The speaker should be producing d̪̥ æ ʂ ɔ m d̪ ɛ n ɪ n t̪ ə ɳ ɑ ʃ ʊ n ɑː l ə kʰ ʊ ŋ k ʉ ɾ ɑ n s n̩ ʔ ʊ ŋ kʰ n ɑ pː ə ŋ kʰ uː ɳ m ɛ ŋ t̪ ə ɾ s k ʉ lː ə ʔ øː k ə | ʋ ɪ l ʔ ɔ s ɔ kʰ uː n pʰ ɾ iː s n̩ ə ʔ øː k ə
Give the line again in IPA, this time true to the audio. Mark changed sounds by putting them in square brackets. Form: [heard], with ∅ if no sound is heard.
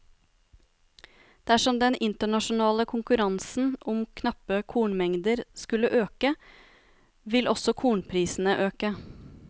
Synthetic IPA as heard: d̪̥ æ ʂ ɔ m d̪ ɛ n ɪ n t̪ ə ɳ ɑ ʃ ʊ n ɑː l ə kʰ ʊ ŋ k ʉ ɾ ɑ n s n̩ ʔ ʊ [m] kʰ n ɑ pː ə [∅] kʰ uː ɳ m ɛ ŋ [d̪] ə ɾ s k ʉ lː ə ʔ øː k ə | ʋ ɪ l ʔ ɔ s ɔ kʰ uː [ɳ] pʰ ɾ iː s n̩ ə ʔ øː k ə